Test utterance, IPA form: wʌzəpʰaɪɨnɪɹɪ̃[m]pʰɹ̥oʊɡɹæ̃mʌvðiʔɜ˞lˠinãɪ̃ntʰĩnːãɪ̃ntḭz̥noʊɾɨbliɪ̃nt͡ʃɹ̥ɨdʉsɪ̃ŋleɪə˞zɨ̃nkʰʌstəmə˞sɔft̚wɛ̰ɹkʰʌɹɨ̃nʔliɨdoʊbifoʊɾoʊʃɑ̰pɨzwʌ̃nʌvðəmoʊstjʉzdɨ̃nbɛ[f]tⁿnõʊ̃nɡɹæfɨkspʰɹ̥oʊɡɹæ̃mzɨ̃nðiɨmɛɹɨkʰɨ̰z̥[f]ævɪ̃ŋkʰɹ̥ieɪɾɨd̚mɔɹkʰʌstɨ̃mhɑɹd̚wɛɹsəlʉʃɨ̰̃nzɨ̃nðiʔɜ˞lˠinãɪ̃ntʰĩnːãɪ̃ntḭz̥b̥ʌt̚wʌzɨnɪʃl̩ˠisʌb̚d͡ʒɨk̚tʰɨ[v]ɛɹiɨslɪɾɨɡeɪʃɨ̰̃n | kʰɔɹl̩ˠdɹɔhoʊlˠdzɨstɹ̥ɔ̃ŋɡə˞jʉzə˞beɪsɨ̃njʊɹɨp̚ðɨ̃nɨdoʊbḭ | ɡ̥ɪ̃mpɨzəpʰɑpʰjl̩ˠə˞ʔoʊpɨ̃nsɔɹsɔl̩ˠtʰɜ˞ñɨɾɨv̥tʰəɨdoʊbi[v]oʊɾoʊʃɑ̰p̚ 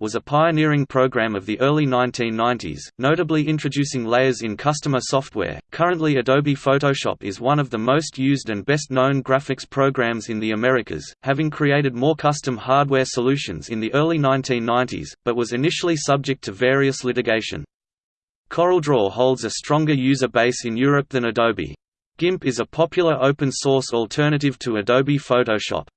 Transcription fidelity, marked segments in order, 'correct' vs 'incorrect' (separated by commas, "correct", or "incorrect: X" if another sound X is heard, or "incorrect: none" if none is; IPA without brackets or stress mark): incorrect: ŋ, incorrect: s, incorrect: h, correct, incorrect: f